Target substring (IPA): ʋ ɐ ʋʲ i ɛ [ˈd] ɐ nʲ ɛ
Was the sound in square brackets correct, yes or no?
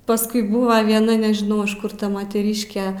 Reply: no